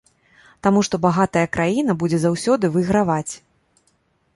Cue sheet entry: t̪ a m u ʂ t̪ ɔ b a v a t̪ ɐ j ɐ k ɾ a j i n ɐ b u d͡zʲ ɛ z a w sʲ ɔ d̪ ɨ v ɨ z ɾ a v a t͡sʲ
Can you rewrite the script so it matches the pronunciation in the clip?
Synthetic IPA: t̪ a m u ʂ t̪ ɔ b a ɣ a t̪ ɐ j ɐ k ɾ a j i n ɐ b u d͡zʲ ɛ z a w sʲ ɔ d̪ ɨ v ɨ ɣ ɾ a v a t͡sʲ